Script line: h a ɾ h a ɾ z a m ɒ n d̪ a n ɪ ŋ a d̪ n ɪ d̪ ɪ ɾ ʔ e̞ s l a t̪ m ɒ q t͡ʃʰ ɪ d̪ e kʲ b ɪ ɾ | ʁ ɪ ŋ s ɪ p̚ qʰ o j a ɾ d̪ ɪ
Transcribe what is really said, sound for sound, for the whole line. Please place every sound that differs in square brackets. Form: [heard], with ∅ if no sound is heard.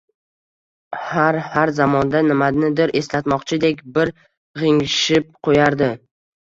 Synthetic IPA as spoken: h a ɾ h a ɾ z a m ɒ n d̪ a n ɪ [m] a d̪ n ɪ d̪ ɪ ɾ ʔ e̞ s l a t̪ m ɒ q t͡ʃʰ ɪ d̪ e kʲ b ɪ ɾ | ʁ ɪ ŋ [ʃ] ɪ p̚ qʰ o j a ɾ d̪ ɪ